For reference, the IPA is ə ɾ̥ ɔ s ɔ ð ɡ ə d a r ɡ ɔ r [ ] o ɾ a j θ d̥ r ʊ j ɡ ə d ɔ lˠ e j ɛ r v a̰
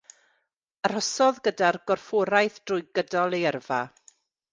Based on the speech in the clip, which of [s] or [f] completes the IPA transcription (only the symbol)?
f